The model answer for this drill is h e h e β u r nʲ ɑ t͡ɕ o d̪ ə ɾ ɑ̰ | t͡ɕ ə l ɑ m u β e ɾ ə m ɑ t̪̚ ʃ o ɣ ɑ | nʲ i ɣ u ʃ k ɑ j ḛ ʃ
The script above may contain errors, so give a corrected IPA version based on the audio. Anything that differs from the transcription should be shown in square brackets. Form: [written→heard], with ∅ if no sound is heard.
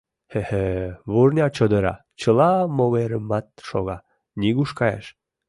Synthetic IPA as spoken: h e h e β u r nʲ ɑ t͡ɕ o d̪ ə ɾ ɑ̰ | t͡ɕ ə l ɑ m [u→o] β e ɾ ə m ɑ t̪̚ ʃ o ɣ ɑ | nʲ i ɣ u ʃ k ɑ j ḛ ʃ